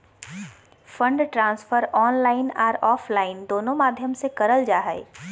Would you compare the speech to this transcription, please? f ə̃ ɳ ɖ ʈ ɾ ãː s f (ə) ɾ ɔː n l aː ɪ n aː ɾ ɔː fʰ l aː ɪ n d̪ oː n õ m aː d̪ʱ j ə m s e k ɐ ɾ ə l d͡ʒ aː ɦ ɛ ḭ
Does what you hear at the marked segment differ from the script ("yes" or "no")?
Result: no